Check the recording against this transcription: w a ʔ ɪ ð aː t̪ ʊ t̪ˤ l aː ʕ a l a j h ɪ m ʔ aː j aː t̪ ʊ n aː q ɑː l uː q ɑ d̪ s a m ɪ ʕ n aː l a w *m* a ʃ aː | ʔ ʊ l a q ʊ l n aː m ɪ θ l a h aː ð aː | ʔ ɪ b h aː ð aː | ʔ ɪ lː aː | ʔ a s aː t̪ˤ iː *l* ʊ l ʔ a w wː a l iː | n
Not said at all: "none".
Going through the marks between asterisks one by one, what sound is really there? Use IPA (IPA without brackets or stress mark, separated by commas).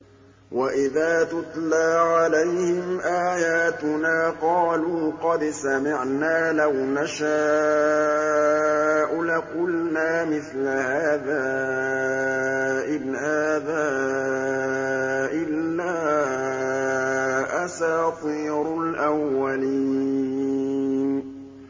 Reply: n, ɾ